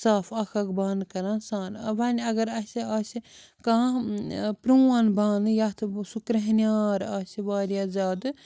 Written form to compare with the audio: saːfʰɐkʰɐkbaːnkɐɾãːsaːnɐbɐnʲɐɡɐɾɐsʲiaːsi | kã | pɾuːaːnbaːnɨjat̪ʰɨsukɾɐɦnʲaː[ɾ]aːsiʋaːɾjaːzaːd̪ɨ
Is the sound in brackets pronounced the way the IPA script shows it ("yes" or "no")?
yes